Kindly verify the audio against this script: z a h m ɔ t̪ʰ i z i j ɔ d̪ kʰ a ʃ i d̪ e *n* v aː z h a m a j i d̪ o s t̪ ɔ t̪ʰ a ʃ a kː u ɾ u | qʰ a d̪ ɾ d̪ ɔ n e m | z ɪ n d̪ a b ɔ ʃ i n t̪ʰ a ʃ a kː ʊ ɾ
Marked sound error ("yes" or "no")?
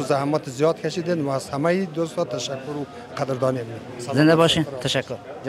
no